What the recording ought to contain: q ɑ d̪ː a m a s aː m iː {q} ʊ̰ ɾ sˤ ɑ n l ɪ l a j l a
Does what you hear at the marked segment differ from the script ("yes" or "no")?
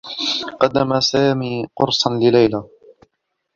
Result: no